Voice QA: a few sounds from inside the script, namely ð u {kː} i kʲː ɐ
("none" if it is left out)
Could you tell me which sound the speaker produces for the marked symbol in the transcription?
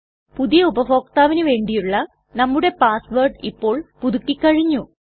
kː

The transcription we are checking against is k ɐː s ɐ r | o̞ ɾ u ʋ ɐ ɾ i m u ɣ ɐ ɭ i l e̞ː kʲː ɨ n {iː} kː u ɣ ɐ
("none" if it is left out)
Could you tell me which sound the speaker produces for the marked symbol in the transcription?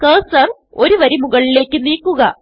iː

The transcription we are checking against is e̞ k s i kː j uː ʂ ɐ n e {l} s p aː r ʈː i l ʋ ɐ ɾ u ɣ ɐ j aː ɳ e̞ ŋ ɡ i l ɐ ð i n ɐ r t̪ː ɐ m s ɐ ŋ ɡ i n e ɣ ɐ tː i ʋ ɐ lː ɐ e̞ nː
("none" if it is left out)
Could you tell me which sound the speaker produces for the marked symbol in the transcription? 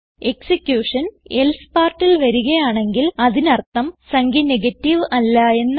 l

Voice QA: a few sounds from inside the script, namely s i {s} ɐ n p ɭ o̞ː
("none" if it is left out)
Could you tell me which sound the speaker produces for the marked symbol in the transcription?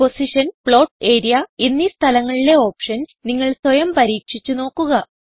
ʂ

